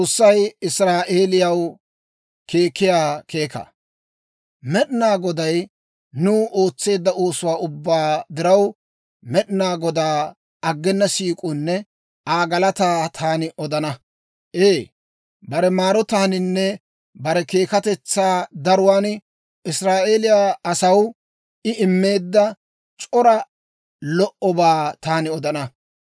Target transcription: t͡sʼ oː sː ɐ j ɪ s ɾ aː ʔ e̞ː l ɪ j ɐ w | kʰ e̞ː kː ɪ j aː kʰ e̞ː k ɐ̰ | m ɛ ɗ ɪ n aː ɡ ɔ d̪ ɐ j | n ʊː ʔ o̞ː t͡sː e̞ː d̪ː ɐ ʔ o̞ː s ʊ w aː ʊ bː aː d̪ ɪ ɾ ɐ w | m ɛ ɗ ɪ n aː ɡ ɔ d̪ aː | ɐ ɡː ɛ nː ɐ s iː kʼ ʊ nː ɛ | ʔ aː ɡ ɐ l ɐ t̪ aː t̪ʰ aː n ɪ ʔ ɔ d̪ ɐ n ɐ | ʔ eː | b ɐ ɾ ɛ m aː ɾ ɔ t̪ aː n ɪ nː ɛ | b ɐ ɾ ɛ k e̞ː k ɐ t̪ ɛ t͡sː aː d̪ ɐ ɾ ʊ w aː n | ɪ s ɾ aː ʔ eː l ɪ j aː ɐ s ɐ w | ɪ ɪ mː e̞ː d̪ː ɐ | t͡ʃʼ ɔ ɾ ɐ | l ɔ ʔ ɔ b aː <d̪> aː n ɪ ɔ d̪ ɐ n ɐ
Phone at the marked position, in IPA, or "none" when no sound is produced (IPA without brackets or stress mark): t̪